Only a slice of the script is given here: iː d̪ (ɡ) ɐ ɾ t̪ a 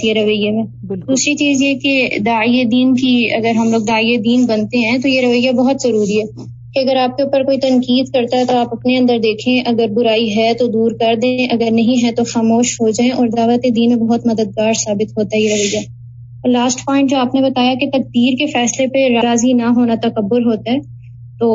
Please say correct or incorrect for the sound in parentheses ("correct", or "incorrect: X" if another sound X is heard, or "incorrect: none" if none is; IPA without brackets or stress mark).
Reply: incorrect: k